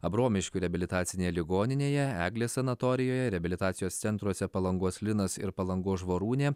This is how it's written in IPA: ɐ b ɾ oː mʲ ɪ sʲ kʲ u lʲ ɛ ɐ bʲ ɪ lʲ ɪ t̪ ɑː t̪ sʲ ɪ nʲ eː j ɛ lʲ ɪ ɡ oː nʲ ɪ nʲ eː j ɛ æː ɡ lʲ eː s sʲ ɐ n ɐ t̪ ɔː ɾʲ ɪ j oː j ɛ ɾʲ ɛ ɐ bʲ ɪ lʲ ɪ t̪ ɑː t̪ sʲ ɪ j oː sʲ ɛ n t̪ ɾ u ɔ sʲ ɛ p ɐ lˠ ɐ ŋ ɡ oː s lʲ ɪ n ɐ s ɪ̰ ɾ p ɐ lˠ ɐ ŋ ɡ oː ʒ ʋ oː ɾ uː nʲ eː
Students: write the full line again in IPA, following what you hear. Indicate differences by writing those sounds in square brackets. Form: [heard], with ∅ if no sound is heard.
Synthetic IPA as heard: ɐ b ɾ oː mʲ ɪ [ʃʲ] kʲ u [ɾʲ] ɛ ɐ bʲ ɪ lʲ ɪ t̪ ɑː t̪ sʲ ɪ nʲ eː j ɛ lʲ ɪ ɡ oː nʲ ɪ nʲ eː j ɛ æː ɡ lʲ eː s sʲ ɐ n ɐ t̪ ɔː ɾʲ ɪ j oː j ɛ ɾʲ ɛ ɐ bʲ ɪ lʲ ɪ t̪ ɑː t̪ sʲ ɪ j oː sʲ ɛ n t̪ ɾ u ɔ sʲ ɛ p ɐ lˠ ɐ ŋ ɡ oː s lʲ ɪ n ɐ s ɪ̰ ɾ p ɐ lˠ ɐ ŋ ɡ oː ʒ ʋ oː ɾ uː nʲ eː